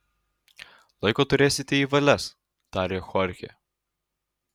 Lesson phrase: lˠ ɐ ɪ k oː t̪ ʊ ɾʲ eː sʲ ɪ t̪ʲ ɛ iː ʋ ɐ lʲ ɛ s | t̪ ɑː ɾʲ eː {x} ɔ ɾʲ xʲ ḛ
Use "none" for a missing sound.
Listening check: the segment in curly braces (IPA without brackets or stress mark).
x